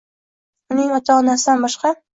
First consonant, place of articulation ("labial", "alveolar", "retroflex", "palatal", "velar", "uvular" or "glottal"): alveolar